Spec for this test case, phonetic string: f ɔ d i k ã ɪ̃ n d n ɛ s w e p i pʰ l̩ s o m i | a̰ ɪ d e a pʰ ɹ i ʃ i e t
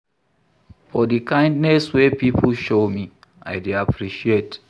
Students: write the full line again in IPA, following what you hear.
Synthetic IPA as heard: f ɔ d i k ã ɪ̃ n d n ɛ s w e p i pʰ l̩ ʃ o m i | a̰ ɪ d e a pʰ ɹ i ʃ i e t